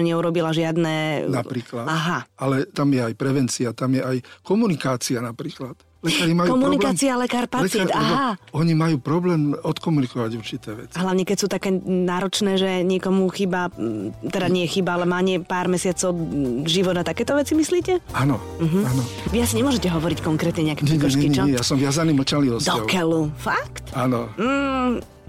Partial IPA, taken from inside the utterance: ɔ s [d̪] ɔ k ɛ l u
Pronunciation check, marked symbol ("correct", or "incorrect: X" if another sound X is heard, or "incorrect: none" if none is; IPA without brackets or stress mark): correct